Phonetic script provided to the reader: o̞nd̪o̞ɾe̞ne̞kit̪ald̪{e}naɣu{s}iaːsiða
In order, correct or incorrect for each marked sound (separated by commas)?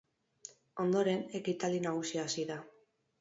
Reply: incorrect, correct